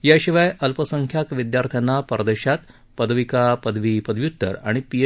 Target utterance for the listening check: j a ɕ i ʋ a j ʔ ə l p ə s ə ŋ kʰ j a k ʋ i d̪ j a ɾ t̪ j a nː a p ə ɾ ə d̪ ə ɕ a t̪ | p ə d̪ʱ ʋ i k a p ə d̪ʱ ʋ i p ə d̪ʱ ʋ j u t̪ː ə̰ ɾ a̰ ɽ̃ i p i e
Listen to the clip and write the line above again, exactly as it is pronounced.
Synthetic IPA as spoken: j a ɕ i ʋ a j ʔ ə l p ə s ə ŋ kʰ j a k ʋ i d̪ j a ɾ t̪ʰ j a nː a p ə ɾ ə d̪ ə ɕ a t̪ | p ə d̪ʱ ʋ i k a p ə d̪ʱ ʋ i p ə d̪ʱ ʋ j u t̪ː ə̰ ɾ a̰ ɽ̃ i p i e